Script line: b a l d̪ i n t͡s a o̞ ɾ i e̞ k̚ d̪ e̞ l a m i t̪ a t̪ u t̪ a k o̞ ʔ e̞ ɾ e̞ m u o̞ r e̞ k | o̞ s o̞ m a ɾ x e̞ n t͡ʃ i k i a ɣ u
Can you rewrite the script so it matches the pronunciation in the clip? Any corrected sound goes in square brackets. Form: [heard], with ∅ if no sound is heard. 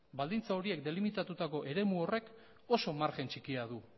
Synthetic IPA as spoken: b a l d̪ i n t͡s a o̞ ɾ i e̞ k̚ d̪ e̞ l [i] m i t̪ a t̪ u t̪ a k o̞ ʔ e̞ ɾ e̞ m u o̞ r e̞ k | o̞ s o̞ m a ɾ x e̞ n t͡ʃ i k i a [ð] u